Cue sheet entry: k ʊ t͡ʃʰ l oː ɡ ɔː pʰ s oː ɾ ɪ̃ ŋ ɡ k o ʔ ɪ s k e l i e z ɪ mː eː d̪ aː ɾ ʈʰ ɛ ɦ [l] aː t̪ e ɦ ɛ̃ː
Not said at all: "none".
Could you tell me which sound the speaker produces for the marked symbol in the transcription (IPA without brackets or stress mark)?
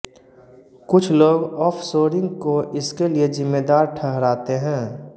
ɾ